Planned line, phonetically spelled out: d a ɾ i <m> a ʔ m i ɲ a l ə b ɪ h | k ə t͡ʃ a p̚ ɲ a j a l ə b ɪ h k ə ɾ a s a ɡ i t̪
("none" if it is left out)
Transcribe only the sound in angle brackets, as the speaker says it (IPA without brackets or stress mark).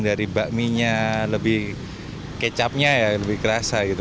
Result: b